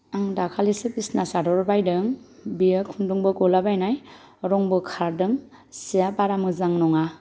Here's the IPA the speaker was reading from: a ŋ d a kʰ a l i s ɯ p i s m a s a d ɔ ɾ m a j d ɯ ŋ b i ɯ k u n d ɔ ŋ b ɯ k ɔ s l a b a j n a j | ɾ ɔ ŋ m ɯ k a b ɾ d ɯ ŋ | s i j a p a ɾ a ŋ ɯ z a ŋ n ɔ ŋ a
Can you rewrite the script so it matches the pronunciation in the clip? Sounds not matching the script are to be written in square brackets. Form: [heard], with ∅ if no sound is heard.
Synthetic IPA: a ŋ d a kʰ a l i s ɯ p i s [n] a s a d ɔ ɾ [b] a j d ɯ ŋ b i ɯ [kʰ] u n d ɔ ŋ b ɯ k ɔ [∅] l a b a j n a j | ɾ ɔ ŋ [b] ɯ [kʰ] a [∅] ɾ d ɯ ŋ | s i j a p a ɾ a [m] ɯ z a ŋ n ɔ ŋ a

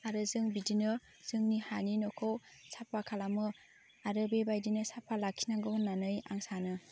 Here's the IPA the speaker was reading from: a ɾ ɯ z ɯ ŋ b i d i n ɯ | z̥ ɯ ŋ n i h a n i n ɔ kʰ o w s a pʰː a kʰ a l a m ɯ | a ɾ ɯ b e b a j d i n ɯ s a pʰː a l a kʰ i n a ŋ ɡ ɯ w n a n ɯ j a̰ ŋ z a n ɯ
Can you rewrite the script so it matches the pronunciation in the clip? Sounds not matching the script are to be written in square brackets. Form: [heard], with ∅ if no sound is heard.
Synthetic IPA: a ɾ ɯ z ɯ ŋ b i d i n ɯ | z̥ ɯ ŋ n i h a n i n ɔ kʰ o w s a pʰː a kʰ a l a m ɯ | a ɾ ɯ b e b a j d i n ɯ s a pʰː a l a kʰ i n a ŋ ɡ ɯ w n a n ɯ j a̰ ŋ [s] a n ɯ

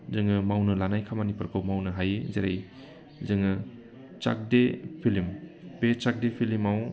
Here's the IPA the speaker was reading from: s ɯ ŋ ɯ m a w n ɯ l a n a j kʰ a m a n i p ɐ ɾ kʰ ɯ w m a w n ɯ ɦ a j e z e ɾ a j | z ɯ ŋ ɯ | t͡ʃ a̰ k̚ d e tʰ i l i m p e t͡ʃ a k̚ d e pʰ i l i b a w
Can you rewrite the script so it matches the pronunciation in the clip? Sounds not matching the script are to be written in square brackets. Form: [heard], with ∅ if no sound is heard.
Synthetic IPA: [z] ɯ ŋ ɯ m a w n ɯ l a n a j kʰ a m a n i p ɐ ɾ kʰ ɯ w m a w n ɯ ɦ a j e z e ɾ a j | z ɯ ŋ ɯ | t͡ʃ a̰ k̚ d e [pʰ] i l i m p e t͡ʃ a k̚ d e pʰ i l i [m] a w

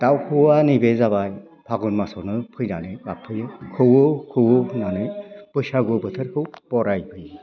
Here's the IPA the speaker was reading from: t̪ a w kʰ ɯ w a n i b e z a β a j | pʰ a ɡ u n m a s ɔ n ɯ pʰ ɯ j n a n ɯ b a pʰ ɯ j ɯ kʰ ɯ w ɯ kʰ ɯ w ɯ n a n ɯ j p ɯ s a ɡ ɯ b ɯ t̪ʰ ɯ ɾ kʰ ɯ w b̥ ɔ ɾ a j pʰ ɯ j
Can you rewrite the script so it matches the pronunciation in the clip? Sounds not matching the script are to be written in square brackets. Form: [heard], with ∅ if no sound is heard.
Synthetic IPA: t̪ a w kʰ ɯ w a n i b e z a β a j | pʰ a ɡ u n m a s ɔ n ɯ pʰ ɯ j n a n ɯ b a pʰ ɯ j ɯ kʰ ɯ w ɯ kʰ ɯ w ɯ n a n ɯ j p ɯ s a ɡ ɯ b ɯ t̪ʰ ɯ ɾ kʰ ɯ w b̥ ɔ ɾ a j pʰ ɯ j

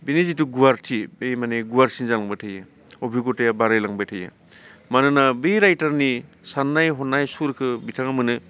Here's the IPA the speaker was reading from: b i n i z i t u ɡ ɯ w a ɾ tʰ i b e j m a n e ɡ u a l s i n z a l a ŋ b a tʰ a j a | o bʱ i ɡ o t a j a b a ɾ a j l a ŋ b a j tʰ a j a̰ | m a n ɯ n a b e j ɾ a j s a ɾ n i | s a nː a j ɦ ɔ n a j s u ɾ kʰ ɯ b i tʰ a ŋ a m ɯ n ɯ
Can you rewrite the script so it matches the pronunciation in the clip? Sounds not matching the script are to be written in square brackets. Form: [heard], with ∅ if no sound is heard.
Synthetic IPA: b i n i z i t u ɡ [u] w a ɾ tʰ i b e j m a n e ɡ u a [ɾ] s i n z a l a ŋ b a tʰ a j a | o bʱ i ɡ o t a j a b a ɾ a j l a ŋ b a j tʰ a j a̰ | m a n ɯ n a b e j ɾ a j [t] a ɾ n i | s a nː a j ɦ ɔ n a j s u ɾ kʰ ɯ b i tʰ a ŋ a m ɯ n ɯ

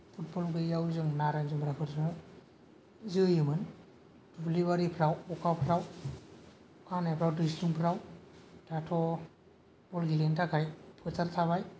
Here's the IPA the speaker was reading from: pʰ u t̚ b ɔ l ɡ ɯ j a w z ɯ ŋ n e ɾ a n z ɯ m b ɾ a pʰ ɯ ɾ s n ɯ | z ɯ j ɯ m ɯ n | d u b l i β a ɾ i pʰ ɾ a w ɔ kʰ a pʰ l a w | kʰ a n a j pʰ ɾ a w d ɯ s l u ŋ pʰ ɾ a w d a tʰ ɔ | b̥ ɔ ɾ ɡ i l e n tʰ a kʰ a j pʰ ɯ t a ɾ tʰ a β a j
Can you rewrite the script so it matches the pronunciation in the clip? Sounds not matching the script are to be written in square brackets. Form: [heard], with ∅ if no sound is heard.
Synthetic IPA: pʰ u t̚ b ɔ l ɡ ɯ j a w z ɯ ŋ n [a] ɾ a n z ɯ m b ɾ a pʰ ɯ ɾ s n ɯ | z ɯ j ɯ m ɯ n | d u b l i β a ɾ i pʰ ɾ a w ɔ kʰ a pʰ [ɾ] a w | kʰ a n a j pʰ ɾ a w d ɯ s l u ŋ pʰ ɾ a w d a tʰ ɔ | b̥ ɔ [l] ɡ i l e n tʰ a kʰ a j pʰ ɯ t a ɾ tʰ a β a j

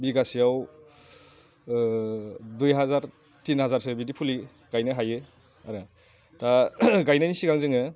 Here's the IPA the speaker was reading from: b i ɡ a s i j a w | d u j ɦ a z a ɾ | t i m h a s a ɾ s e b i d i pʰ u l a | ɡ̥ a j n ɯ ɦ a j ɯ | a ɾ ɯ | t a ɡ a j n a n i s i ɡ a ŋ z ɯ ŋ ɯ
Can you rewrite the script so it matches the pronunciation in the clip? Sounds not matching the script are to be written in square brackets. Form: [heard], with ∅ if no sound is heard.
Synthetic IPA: b i ɡ a s i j a w | d u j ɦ a z a ɾ | t i [n] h a [z] a ɾ s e b i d i pʰ u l [i] | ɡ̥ a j n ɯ ɦ a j ɯ | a ɾ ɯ | t a ɡ a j n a n i s i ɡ a ŋ z ɯ ŋ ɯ

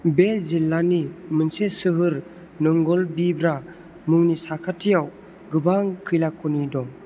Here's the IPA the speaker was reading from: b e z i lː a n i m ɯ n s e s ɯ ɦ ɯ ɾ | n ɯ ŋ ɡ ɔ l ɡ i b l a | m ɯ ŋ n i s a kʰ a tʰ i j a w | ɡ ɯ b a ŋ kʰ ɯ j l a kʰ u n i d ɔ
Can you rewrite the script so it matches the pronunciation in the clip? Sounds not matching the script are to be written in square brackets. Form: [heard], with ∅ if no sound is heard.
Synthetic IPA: b e z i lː a n i m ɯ n s e s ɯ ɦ ɯ ɾ | n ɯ ŋ ɡ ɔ l [b] i b [ɾ] a | m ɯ ŋ n i s a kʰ a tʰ i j a w | ɡ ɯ b a ŋ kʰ ɯ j l a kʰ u n i d ɔ

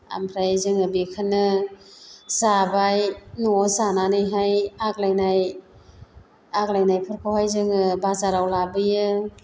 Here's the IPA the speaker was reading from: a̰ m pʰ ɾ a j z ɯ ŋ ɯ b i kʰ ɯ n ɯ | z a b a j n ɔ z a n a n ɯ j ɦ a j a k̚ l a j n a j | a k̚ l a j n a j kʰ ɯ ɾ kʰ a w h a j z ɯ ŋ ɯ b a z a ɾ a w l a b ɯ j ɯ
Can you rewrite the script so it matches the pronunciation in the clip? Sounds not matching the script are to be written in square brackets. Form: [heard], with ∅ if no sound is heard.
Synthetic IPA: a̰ m pʰ ɾ a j z ɯ ŋ ɯ b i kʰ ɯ n ɯ | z a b a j n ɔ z a n a n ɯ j ɦ a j a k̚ l a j n a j | a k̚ l a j n a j [pʰ] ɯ ɾ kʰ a w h a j z ɯ ŋ ɯ b a z a ɾ a w l a b ɯ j ɯ

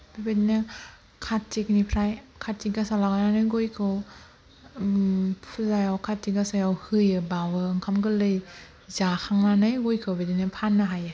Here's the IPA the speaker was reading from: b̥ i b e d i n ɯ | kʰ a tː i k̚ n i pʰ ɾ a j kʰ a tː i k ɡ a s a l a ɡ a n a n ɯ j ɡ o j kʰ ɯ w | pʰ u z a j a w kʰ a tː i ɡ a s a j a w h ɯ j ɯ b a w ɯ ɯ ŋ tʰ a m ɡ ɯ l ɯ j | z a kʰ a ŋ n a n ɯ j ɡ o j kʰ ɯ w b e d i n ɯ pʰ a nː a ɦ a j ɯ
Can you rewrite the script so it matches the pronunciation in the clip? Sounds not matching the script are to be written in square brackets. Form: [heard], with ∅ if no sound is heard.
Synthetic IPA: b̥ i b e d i n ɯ | kʰ a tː i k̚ n i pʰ ɾ a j kʰ a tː i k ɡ a s a l a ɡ a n a n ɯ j ɡ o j kʰ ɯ w | pʰ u z a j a w kʰ a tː i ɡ a s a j a w h ɯ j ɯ b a w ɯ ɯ ŋ [kʰ] a m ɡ ɯ l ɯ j | z a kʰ a ŋ n a n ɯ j ɡ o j kʰ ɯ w b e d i n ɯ pʰ a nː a ɦ a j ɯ

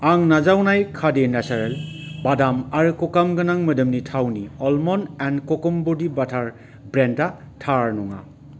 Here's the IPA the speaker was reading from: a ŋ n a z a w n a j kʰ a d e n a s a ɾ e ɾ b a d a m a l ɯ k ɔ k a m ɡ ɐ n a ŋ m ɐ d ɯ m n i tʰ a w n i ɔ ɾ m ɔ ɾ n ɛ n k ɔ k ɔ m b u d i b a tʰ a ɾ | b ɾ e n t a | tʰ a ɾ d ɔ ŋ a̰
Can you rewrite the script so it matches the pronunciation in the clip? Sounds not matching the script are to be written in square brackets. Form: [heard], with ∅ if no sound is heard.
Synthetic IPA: a ŋ n a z a w n a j kʰ a d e n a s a ɾ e [l] b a d a m a [ɾ] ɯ k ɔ k a m ɡ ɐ n a ŋ m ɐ d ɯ m n i tʰ a w n i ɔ [l] m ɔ [∅] n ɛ n k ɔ k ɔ m b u d i b a tʰ a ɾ | b ɾ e n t a | tʰ a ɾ [n] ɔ ŋ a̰

